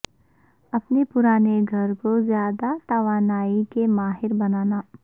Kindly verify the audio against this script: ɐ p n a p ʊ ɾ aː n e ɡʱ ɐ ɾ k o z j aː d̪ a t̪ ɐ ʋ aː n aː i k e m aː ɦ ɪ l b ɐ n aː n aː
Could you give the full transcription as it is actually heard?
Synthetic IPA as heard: ɐ p n e p ʊ ɾ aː n e ɡʱ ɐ ɾ k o z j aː d̪ a t̪ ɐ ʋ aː n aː i k e m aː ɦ ɪ ɾ b ɐ n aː n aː